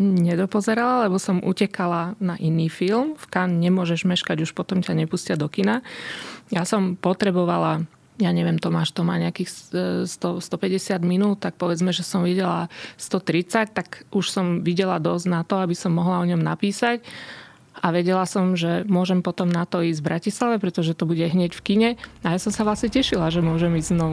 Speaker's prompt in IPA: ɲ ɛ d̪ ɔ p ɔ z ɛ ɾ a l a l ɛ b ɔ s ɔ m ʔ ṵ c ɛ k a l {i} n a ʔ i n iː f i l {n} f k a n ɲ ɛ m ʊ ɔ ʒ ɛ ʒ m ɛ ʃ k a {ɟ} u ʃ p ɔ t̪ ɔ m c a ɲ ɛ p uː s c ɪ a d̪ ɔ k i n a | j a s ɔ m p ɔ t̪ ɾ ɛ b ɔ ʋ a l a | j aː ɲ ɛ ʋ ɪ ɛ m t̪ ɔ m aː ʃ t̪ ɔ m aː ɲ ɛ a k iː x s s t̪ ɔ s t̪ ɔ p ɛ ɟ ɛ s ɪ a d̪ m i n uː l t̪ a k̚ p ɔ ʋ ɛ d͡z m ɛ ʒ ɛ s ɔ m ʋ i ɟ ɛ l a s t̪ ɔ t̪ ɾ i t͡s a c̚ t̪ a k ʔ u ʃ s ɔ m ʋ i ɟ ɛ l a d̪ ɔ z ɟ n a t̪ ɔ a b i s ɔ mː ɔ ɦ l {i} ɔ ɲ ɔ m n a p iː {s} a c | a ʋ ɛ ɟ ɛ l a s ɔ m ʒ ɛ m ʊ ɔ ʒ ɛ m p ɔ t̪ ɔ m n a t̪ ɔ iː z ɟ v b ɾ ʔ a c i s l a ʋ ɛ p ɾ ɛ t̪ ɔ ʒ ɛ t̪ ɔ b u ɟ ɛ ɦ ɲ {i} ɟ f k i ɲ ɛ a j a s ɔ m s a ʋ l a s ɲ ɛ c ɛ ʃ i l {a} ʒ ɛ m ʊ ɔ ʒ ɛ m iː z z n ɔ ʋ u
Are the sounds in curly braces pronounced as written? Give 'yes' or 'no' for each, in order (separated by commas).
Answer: no, no, yes, no, yes, no, yes